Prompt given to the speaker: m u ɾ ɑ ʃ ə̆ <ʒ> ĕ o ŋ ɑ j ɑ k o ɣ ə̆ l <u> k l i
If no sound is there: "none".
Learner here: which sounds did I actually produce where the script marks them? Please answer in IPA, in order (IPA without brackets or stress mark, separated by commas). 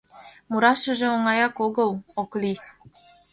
ʒ, o